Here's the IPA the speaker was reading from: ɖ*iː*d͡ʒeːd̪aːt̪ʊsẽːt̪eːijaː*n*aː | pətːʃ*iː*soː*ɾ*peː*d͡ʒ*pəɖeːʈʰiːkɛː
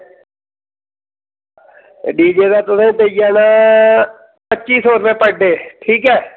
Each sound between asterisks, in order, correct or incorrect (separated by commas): correct, correct, correct, correct, incorrect